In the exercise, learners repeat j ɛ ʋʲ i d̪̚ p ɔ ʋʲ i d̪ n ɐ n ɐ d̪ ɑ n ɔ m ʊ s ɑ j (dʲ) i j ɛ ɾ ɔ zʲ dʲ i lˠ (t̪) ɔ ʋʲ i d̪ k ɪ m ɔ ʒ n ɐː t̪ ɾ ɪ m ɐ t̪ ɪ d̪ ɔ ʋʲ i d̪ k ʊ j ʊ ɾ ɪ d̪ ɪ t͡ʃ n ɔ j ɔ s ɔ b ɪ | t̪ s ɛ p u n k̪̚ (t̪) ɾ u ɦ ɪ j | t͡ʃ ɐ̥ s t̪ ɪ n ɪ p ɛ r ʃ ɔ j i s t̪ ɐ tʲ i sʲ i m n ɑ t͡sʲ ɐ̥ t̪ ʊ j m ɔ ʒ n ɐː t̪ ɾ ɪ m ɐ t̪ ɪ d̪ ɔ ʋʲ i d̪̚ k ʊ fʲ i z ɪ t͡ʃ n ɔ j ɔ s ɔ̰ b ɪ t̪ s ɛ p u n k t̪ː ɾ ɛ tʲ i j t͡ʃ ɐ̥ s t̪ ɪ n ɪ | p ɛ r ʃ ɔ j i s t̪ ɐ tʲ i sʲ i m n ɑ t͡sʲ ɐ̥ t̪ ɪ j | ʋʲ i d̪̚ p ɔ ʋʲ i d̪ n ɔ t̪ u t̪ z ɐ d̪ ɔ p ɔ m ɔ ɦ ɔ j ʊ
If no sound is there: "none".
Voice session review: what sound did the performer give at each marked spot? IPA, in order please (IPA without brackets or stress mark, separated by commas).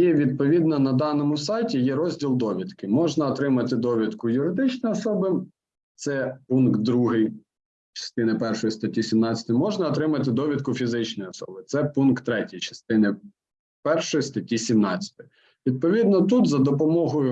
tʲ, d̪, d̪